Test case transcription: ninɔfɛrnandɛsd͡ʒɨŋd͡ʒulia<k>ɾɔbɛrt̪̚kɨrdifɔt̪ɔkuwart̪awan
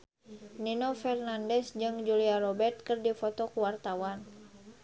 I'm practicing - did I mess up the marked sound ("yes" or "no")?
yes